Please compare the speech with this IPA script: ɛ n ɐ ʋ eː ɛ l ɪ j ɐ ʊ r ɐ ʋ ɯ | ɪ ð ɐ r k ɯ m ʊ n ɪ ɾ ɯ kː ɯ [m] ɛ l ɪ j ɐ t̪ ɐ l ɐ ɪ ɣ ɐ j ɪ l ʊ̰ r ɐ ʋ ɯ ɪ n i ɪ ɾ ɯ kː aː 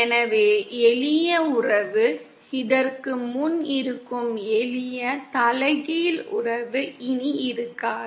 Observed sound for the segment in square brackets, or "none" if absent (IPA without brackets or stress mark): m